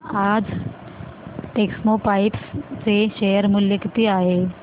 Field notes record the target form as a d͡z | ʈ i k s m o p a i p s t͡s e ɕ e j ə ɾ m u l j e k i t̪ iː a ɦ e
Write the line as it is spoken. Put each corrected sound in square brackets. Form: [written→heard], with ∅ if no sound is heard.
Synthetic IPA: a d͡z | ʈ [i→e] k s m o p a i p s t͡s e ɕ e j ə ɾ m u l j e k i t̪ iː a ɦ e